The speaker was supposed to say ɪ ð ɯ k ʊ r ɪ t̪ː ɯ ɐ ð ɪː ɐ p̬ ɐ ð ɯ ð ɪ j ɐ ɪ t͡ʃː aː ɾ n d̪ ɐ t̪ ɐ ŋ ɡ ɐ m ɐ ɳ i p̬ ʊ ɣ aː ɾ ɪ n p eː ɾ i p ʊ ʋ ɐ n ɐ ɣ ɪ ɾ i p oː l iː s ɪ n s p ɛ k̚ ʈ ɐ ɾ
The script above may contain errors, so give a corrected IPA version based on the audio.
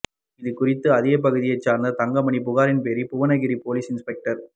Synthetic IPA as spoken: ɪ ð ɯ k ʊ r ɪ t̪ː ɯ ɐ ð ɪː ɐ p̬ ɐ ɣ ɯ ð ɪ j ɐ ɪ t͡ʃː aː ɾ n d̪ ɐ t̪ ɐ ŋ ɡ ɐ m ɐ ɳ i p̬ ʊ ɣ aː ɾ ɪ n p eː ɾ i p ʊ ʋ ɐ n ɐ ɣ ɪ ɾ i p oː l iː s ɪ n s p ɛ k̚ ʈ ɐ ɾ